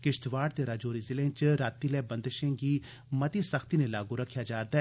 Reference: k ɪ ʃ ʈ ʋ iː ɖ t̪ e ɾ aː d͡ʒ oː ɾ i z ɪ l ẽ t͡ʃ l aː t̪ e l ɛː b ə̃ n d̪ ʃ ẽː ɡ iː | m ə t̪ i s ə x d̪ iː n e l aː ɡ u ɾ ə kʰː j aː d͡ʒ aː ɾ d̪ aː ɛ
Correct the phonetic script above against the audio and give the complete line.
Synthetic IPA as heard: k ɪ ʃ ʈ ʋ aː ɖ t̪ e ɾ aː d͡ʒ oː ɾ i z ɪ l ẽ t͡ʃ ɾ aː t̪ i l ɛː b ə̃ n d̪ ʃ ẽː ɡ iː | m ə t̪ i s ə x t̪ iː n e l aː ɡ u ɾ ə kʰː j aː d͡ʒ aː ɾ d̪ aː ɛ